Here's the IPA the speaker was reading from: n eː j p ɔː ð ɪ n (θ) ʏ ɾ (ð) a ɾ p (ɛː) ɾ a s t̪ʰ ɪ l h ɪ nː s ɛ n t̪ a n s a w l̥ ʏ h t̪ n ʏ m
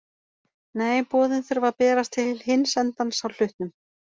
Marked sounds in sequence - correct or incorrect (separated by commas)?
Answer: correct, incorrect, correct